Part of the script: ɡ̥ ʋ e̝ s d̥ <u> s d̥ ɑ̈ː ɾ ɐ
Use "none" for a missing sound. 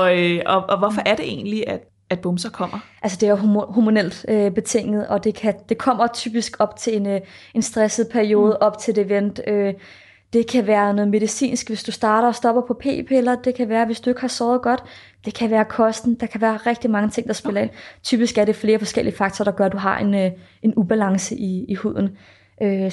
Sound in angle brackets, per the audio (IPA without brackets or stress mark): u